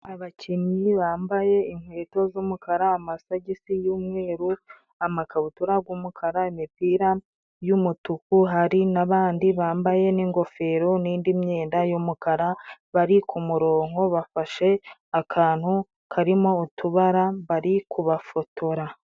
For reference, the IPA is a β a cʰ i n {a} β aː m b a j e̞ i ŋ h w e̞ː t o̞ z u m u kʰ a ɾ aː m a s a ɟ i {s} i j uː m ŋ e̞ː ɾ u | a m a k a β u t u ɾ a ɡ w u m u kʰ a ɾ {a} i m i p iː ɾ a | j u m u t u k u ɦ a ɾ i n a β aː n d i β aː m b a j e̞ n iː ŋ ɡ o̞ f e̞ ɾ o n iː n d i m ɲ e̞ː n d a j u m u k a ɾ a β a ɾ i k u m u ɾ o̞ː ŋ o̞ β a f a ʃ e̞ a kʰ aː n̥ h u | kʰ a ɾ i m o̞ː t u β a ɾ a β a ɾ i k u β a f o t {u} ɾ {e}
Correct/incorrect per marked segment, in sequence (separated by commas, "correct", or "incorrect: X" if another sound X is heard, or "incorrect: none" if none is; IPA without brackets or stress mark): incorrect: i, correct, correct, incorrect: o, incorrect: a